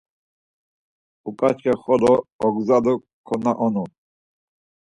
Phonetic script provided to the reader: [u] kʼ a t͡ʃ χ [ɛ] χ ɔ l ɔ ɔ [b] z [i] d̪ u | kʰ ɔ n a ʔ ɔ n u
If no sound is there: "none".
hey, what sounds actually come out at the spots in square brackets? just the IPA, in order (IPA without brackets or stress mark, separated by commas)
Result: u, ɛ, ɡ, a